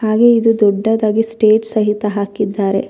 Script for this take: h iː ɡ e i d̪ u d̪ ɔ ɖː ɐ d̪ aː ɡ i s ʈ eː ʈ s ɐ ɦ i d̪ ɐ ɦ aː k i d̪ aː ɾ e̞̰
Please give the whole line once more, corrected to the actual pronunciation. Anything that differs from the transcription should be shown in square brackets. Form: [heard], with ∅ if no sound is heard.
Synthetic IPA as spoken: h [aː] ɡ e i d̪ u d̪ ɔ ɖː ɐ d̪ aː ɡ i s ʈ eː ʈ s ɐ ɦ i [t̪] ɐ ɦ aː k i [d̪ː] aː ɾ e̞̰